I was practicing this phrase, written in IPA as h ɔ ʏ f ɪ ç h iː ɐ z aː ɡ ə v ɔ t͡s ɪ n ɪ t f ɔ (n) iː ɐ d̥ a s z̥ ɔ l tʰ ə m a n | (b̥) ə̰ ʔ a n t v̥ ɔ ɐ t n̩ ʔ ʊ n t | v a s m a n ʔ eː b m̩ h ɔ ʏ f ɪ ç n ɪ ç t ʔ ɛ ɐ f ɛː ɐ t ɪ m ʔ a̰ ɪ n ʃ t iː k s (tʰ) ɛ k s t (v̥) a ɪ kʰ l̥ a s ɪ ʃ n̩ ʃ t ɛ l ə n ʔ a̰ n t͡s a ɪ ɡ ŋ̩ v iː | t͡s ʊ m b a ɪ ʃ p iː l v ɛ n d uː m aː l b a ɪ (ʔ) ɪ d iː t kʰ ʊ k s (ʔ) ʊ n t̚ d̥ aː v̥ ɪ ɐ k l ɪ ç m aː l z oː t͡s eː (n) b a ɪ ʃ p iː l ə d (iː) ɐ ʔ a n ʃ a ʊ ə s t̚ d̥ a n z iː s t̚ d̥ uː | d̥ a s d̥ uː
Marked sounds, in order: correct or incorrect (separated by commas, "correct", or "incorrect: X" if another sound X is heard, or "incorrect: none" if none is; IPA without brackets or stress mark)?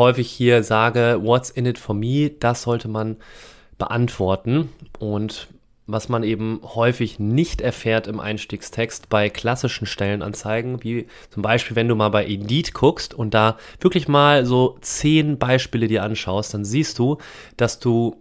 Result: incorrect: m, correct, correct, incorrect: b̥, correct, incorrect: t, correct, correct